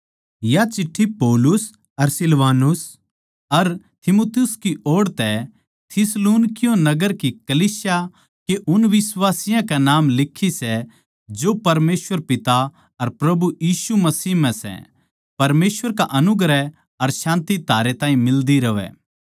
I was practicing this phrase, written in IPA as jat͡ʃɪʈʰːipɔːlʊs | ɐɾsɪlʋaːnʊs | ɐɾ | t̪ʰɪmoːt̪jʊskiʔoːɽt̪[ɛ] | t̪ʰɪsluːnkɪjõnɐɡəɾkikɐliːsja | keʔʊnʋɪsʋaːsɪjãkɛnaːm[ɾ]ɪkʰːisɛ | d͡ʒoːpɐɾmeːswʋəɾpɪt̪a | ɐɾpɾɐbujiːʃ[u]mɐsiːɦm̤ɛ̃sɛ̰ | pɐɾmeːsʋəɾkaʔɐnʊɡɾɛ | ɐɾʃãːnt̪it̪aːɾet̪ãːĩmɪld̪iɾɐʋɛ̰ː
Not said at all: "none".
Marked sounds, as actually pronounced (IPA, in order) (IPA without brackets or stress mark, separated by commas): ɛ, l, u